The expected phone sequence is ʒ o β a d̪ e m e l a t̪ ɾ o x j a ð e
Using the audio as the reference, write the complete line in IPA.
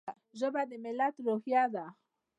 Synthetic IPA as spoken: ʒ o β a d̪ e m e l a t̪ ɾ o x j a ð a